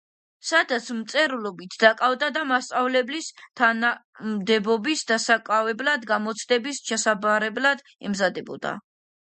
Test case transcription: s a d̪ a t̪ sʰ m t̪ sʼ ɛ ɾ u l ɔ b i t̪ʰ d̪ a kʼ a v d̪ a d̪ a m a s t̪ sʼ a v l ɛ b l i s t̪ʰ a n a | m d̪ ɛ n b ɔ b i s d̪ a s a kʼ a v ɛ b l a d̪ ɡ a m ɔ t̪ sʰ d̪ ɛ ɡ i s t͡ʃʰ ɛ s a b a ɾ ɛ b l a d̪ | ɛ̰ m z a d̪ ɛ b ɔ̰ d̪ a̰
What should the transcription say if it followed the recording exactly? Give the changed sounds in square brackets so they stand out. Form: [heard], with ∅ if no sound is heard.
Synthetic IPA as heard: s a d̪ a t̪ sʰ m t̪ sʼ ɛ ɾ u l ɔ b i t̪ʰ d̪ a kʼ a v d̪ a d̪ a m a s t̪ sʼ a v l ɛ b l i s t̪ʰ a n a | m d̪ ɛ [∅] b ɔ b i s d̪ a s a kʼ a v ɛ b l a d̪ ɡ a m ɔ t̪ sʰ d̪ ɛ [b] i s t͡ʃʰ ɛ s a b a ɾ ɛ b l a d̪ | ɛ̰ m z a d̪ ɛ b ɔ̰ d̪ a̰